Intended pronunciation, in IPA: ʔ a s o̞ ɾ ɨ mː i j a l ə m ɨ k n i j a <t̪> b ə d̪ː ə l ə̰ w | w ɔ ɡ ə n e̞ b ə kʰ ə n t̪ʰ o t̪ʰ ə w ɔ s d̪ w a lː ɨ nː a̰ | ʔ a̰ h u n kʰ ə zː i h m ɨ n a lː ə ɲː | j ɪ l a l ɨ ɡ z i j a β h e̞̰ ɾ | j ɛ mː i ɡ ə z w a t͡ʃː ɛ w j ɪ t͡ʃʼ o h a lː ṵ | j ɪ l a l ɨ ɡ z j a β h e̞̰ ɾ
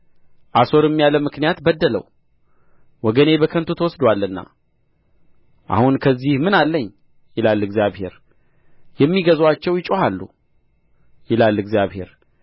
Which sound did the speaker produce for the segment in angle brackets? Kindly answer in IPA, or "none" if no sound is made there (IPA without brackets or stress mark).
t̪